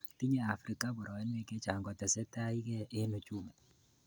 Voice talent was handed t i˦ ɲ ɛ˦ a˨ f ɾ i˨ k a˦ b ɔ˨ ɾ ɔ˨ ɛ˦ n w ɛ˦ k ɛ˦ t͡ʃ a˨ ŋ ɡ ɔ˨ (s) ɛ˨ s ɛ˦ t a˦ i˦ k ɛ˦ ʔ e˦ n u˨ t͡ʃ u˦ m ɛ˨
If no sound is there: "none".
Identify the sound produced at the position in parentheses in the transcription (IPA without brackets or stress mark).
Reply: t